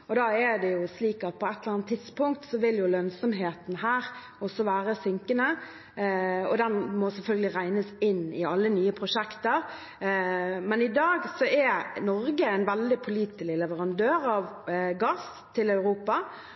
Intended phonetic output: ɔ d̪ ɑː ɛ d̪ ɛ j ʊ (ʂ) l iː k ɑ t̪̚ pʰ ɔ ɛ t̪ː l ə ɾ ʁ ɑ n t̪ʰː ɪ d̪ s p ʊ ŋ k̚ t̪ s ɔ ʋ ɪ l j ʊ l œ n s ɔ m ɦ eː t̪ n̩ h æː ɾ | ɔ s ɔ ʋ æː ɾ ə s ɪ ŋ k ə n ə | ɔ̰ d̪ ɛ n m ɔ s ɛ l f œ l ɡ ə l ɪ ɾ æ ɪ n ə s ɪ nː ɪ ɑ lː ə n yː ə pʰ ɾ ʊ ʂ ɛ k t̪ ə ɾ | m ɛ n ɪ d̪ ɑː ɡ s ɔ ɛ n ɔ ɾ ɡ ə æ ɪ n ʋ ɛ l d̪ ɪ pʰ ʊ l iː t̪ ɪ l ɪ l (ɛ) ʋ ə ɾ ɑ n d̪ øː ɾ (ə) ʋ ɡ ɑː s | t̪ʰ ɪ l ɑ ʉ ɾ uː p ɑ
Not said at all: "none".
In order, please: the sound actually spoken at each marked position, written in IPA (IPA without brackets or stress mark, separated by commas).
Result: s, ɛ, ɑ